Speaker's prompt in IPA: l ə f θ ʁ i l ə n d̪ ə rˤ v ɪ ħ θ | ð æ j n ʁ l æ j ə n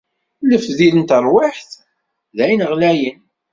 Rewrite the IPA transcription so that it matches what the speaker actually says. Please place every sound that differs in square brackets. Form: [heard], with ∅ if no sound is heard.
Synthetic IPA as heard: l ə f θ [ð] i l ə n [t̪] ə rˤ [w] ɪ ħ θ | ð æ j n ʁ l æ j ə n